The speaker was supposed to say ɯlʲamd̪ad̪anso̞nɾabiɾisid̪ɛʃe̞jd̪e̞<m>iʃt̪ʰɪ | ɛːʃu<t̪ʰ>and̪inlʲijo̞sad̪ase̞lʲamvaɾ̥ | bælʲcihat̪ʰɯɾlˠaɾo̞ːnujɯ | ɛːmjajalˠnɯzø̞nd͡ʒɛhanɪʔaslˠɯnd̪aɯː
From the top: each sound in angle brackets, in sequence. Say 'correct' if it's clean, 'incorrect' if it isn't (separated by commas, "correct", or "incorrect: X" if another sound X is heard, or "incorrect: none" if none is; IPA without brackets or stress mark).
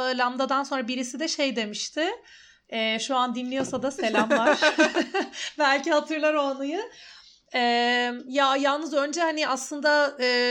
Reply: correct, incorrect: none